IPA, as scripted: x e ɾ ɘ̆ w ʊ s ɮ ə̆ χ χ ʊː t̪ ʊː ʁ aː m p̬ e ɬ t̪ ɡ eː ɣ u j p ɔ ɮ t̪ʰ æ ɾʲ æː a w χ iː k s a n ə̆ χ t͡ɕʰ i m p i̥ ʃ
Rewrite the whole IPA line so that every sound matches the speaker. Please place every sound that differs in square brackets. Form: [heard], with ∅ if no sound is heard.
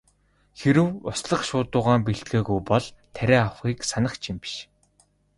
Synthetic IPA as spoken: x e ɾ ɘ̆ w ʊ s ɮ ə̆ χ [ʃ] ʊː t̪ ʊː ʁ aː m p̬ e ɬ t̪ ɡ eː ɣ u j p ɔ ɮ t̪ʰ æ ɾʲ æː a w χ iː k s a n ə̆ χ t͡ɕʰ i m p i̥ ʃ